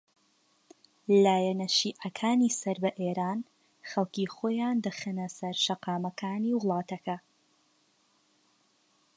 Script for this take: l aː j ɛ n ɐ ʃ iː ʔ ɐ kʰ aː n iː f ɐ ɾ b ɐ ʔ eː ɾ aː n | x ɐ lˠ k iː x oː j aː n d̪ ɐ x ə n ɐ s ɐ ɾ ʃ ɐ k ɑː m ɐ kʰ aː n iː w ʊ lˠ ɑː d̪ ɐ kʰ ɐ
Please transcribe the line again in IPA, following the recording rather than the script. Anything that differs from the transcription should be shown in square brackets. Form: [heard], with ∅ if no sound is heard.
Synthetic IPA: l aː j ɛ n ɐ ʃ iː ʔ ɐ kʰ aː n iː [s] ɐ ɾ b ɐ ʔ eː ɾ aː n | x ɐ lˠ k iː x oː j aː n d̪ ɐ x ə n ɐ s ɐ ɾ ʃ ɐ [q] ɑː m ɐ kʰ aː n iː w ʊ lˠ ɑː [t̪] ɐ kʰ ɐ